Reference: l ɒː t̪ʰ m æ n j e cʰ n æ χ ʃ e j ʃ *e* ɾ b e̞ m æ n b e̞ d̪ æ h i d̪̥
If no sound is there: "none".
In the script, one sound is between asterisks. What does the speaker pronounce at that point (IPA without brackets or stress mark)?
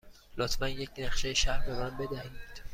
æ